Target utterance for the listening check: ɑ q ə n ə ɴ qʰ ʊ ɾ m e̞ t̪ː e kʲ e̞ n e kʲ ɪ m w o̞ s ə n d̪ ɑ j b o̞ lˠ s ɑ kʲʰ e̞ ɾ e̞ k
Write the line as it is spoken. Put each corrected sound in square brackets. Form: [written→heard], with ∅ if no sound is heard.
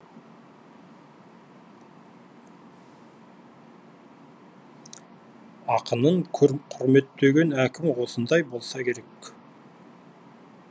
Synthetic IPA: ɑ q ə n ə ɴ qʰ ʊ ɾ m e̞ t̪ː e [kʲ→ɡʲ] e̞ n [e→æ] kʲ ɪ m w o̞ s ə n d̪ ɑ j b o̞ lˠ s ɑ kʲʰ e̞ ɾ e̞ k